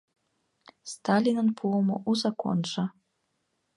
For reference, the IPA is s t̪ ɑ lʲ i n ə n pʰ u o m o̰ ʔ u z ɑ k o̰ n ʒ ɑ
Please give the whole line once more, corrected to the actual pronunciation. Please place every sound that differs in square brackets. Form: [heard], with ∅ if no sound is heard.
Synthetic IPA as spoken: s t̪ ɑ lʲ i n ə n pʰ u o m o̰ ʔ u z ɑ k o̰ n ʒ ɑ